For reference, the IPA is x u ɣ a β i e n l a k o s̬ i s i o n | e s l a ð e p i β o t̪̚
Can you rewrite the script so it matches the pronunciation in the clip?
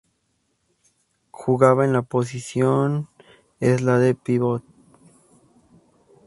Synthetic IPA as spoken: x u ɣ a β a e n l a p o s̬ i s j o n | e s l a ð e p i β o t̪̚